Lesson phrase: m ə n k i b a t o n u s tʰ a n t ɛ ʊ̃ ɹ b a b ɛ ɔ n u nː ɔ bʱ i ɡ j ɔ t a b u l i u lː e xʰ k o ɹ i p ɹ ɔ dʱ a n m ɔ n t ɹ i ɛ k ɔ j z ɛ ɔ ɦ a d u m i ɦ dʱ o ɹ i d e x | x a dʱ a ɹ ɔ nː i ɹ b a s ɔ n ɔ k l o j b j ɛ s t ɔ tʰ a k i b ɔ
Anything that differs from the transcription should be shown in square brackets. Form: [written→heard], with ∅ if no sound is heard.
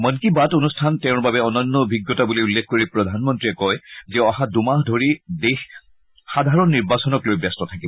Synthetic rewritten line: m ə n k i b a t o n u s tʰ a n t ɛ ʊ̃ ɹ b a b ɛ ɔ n [u→ɔ] nː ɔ bʱ i ɡ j ɔ t a b u l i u lː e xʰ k o ɹ i p ɹ ɔ dʱ a n m ɔ n t ɹ i ɛ k ɔ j z ɛ ɔ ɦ a d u m [i→a] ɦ dʱ o ɹ i d e x | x a dʱ a ɹ ɔ nː i ɹ b a s ɔ n ɔ k l o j b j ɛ s t ɔ tʰ a k i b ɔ